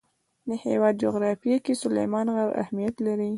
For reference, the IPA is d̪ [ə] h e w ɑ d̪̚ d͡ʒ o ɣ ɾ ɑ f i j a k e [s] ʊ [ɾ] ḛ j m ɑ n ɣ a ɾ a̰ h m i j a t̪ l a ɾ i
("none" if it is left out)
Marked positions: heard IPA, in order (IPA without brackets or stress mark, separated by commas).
ə, s, l